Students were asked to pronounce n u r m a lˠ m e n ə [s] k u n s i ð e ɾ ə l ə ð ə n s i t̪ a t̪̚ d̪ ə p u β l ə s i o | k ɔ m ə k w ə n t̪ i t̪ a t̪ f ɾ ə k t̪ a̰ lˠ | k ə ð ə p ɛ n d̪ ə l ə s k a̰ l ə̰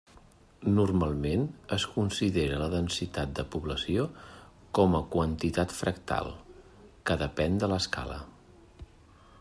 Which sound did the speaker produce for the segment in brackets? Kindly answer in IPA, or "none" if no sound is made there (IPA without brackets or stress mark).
s